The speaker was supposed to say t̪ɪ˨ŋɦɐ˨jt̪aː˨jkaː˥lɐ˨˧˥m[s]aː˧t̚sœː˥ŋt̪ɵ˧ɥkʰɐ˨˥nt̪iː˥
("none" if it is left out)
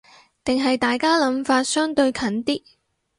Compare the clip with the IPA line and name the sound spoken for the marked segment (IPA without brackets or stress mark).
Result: f